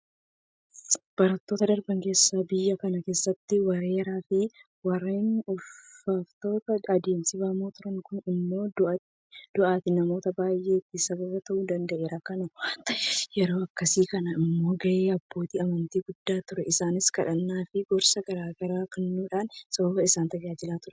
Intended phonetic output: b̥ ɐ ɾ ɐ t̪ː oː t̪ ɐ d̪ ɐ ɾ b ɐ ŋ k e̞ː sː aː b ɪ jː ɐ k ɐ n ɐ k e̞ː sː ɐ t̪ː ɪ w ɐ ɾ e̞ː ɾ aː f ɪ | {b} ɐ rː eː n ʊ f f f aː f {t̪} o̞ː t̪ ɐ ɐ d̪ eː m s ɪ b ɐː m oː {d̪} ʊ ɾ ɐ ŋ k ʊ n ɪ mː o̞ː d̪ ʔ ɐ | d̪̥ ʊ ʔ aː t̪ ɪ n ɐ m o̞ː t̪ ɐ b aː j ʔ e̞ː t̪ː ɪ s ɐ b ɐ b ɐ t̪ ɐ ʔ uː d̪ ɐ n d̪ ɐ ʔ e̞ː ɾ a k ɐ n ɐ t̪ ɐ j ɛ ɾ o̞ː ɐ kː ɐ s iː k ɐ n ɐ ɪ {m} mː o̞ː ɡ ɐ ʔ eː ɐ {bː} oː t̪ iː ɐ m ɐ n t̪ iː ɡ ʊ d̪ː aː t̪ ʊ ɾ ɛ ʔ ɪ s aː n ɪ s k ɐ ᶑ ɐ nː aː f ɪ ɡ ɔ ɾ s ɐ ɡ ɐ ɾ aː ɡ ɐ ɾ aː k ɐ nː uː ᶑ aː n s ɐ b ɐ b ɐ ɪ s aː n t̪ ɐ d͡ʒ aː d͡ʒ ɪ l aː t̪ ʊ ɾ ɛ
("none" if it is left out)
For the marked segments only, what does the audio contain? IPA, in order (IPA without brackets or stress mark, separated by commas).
w, t̪, t̪, m, bː